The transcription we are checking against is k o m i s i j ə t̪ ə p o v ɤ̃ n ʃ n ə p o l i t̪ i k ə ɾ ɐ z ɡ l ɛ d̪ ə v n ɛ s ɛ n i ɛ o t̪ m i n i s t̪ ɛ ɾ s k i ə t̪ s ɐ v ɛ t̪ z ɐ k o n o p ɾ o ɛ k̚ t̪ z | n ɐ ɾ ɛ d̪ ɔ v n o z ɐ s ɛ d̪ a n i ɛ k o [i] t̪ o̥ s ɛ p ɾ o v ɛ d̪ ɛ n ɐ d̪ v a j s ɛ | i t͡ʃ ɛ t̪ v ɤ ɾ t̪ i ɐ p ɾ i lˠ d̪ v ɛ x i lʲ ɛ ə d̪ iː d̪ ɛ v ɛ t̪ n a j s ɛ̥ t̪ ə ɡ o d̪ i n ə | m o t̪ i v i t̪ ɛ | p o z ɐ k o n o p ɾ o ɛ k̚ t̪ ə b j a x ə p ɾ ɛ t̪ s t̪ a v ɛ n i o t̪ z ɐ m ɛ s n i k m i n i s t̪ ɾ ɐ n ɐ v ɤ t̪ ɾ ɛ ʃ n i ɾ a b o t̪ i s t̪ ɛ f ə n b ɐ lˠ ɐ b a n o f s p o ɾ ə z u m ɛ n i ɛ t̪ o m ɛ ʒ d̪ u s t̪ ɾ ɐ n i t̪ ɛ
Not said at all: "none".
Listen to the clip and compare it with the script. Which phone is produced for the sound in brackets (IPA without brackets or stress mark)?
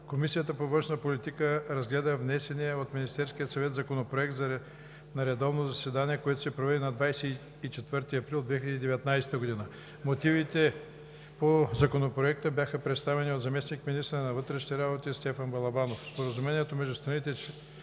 ɛ